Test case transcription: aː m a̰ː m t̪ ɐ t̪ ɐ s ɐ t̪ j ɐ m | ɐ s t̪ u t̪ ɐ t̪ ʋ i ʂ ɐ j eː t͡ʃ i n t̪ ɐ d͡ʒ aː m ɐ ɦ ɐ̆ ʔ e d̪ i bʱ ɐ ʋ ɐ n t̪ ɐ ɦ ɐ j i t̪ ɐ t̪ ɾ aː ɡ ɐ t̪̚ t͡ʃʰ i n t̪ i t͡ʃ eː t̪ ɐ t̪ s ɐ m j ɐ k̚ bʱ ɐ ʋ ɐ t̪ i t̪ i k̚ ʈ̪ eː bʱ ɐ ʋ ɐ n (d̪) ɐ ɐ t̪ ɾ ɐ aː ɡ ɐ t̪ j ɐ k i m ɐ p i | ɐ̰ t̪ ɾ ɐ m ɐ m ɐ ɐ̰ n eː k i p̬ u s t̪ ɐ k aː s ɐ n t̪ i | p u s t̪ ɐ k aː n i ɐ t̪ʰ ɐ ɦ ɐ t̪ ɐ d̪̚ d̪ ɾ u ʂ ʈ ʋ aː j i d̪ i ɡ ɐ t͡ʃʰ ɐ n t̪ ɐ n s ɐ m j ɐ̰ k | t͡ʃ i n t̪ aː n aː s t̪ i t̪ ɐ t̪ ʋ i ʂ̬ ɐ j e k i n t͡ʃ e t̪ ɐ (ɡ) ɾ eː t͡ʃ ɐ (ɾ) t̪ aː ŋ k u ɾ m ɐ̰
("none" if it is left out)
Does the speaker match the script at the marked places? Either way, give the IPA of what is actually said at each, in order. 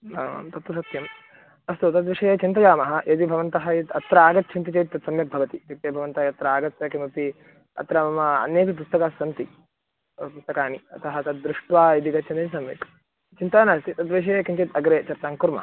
t̪, ɡ, ɾ

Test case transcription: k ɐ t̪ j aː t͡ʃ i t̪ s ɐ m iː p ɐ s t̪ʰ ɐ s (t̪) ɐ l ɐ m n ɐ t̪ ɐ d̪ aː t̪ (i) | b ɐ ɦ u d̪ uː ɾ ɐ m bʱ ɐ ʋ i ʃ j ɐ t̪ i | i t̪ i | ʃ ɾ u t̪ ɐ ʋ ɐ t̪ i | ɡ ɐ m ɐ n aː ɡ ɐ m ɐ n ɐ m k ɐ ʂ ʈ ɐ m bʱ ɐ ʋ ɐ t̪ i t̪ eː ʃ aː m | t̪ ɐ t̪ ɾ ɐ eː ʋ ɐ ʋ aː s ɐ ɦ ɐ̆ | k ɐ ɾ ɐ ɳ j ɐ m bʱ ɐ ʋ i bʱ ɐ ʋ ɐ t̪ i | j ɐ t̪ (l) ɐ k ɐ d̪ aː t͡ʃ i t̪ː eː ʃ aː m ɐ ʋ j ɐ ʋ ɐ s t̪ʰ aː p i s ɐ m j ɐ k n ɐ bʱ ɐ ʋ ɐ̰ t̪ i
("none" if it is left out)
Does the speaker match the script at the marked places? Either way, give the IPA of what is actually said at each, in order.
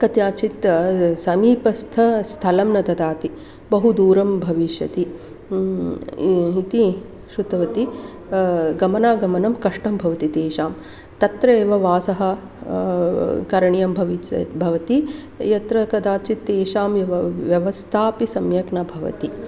t̪ʰ, i, ɾ

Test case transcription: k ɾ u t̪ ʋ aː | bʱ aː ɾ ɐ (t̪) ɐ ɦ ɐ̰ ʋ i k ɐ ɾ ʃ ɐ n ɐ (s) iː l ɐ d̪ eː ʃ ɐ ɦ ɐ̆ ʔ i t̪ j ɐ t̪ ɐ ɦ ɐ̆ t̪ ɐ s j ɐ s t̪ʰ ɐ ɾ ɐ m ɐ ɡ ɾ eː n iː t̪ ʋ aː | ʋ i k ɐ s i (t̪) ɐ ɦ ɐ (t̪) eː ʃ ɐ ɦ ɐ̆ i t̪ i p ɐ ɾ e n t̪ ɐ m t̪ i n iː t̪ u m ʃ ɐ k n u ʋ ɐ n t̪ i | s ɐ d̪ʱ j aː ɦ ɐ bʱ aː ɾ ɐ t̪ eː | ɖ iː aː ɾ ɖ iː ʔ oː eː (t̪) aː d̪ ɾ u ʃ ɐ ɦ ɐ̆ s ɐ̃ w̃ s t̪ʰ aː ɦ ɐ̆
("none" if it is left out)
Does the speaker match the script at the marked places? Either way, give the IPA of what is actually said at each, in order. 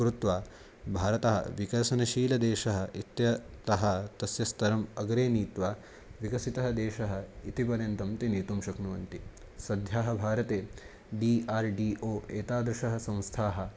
t̪, ʃ, t̪, d̪, t̪

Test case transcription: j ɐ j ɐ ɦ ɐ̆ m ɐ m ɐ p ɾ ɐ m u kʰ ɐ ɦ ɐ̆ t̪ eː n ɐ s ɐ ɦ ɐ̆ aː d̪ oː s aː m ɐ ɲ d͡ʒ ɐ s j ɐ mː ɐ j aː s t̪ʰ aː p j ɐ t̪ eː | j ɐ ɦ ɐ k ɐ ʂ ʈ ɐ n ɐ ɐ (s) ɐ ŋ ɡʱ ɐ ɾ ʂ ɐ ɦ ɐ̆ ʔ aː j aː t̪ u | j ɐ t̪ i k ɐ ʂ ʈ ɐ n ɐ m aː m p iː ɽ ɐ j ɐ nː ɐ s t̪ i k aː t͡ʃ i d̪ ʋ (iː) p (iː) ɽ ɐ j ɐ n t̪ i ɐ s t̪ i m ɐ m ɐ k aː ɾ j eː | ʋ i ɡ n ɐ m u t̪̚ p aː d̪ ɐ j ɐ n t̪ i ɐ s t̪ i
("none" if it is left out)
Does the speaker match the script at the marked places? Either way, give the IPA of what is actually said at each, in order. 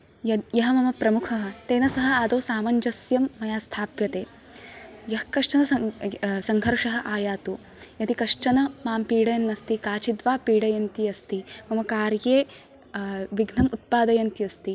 s, aː, iː

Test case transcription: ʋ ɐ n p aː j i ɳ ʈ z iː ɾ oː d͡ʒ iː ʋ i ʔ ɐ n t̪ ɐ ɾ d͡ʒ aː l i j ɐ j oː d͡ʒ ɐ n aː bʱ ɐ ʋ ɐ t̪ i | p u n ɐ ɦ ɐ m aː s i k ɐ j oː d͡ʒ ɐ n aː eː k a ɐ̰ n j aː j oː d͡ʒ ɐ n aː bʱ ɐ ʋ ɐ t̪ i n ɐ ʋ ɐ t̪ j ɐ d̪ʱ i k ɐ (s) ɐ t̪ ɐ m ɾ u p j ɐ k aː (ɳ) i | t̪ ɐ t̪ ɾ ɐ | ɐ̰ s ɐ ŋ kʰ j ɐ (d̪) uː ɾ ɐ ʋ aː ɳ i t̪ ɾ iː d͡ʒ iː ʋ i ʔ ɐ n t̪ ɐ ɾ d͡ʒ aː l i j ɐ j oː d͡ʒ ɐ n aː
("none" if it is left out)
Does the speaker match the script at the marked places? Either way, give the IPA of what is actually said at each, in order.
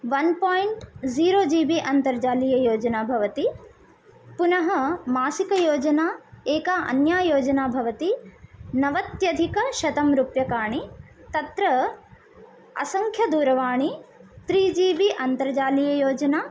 ʃ, ɳ, d̪

